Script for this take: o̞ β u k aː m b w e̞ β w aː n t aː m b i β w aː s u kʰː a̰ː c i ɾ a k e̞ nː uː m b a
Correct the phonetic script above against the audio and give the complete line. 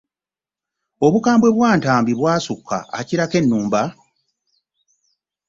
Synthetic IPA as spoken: o̞ β u k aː m b w e̞ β w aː n t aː m b i β w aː s u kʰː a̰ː c i ɾ a k e̞ nː uː m b a